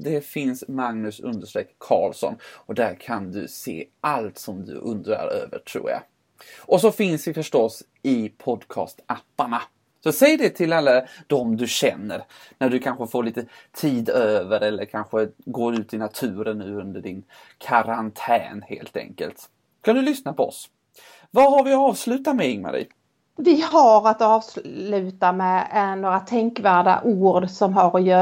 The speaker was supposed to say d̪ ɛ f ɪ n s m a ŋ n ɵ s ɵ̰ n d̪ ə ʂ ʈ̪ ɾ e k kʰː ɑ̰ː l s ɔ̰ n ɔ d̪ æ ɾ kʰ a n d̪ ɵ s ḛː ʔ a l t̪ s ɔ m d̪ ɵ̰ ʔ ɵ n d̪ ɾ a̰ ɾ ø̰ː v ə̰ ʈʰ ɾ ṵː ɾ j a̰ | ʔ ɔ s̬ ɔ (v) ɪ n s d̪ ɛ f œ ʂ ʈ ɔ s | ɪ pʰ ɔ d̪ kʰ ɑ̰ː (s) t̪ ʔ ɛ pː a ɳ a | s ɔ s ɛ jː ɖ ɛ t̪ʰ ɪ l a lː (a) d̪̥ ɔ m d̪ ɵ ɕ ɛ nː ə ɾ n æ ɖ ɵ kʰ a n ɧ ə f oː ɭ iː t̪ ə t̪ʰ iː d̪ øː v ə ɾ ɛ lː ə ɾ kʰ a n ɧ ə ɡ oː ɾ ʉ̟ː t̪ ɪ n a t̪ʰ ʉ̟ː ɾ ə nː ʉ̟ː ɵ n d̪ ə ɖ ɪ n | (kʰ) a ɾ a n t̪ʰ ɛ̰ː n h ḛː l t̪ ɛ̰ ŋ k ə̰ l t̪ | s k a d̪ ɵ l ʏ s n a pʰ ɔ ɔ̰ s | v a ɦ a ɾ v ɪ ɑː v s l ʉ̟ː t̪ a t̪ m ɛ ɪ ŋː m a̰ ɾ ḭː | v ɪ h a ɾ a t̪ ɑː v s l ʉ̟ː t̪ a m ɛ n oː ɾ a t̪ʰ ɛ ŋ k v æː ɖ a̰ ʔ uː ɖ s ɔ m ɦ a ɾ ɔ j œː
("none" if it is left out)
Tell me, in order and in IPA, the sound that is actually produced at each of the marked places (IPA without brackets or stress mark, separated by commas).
f, s, a, kʰ